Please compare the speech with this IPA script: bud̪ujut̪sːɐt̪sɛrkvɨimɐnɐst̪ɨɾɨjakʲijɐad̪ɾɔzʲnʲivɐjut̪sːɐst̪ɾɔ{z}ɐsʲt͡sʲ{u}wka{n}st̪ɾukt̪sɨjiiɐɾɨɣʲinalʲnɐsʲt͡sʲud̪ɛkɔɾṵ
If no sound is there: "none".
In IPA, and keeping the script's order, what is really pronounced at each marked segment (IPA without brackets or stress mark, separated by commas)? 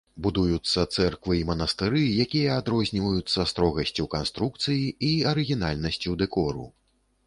ɣ, u, n